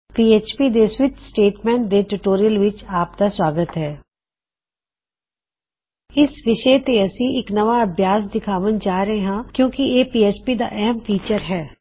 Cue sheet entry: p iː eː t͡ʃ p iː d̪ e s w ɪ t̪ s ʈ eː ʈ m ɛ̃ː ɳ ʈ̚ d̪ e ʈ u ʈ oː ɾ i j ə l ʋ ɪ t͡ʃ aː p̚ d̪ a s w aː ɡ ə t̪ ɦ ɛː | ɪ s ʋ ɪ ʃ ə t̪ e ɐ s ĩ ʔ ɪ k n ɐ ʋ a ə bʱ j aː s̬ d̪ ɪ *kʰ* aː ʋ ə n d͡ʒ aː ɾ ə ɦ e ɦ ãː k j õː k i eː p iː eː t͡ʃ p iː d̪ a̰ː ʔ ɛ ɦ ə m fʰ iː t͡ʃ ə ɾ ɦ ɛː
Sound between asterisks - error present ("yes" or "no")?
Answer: no